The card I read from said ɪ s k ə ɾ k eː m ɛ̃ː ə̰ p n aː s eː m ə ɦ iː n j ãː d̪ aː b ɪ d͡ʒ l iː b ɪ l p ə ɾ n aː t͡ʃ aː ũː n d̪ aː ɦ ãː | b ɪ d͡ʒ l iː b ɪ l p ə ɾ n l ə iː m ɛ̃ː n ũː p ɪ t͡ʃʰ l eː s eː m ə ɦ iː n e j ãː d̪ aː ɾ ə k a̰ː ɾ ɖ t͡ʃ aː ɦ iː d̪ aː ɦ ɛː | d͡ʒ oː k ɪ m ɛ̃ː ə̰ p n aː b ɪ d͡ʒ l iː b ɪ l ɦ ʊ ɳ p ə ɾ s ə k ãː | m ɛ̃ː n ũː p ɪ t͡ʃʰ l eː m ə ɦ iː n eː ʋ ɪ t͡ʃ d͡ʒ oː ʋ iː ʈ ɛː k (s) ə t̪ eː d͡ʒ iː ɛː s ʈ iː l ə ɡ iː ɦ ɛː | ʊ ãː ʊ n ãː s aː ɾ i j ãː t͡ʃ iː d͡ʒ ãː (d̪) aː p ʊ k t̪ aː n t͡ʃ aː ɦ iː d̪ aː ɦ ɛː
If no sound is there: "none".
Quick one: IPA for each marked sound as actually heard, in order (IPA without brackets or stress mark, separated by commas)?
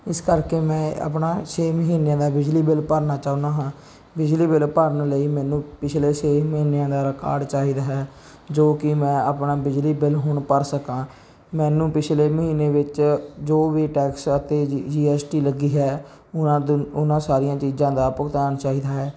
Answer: s, d̪